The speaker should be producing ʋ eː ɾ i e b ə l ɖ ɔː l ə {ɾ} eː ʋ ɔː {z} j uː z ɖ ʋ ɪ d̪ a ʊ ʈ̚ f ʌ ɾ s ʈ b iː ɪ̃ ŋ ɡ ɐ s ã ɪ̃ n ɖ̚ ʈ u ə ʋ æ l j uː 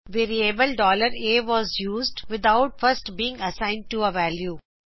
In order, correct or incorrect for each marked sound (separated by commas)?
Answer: correct, correct